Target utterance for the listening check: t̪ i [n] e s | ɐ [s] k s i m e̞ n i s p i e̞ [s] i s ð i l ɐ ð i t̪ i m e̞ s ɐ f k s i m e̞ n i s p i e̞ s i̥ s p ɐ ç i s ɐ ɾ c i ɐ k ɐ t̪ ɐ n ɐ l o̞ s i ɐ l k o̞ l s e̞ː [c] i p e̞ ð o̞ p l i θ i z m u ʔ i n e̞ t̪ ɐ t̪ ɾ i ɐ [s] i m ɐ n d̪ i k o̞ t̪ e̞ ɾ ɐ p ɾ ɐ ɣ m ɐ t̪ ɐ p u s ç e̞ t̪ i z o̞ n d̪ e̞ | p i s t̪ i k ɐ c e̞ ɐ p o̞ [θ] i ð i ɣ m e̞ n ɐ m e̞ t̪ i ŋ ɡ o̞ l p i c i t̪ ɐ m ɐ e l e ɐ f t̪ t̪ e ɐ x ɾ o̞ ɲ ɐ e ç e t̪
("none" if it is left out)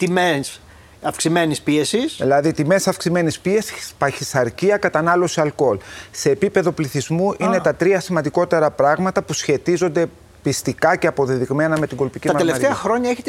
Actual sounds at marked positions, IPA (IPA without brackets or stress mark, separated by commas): m, f, s, p, s, ð